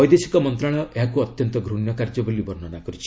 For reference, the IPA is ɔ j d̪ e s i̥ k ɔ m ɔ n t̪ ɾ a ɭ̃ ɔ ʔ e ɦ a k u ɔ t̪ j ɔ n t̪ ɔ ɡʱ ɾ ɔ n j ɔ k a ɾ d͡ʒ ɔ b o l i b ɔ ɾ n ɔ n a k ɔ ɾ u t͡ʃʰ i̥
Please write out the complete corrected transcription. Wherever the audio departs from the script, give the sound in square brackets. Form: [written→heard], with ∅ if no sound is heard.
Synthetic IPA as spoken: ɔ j d̪ e s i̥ k ɔ m ɔ n t̪ ɾ a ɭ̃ ɔ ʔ e ɦ a k u ɔ t̪ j ɔ n t̪ ɔ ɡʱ ɾ [ɔ→u] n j ɔ k a ɾ d͡ʒ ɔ b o l i b ɔ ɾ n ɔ n a k ɔ ɾ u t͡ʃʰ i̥